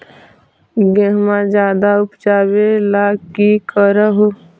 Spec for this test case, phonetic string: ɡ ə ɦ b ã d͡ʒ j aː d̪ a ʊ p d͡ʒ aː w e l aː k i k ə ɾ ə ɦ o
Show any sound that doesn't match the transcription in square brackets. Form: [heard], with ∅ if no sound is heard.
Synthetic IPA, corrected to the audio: ɡ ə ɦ [m] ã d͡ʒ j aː d̪ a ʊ p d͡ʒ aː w e l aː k i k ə ɾ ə ɦ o